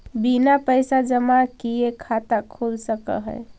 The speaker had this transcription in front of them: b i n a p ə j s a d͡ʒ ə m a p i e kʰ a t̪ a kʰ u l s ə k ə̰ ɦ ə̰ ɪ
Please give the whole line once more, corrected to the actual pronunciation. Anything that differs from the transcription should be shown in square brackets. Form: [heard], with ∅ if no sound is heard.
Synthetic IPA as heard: b i n a p ə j s a d͡ʒ ə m a [k] i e kʰ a t̪ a kʰ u l s ə k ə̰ ɦ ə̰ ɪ